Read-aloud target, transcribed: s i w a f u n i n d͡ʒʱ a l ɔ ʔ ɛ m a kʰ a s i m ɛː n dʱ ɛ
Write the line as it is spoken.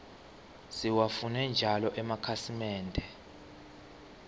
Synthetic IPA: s i w a f u n ɛ n d͡ʒʱ a l ɔ ʔ ɛ m a kʰ a s i m ɛː n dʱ ɛ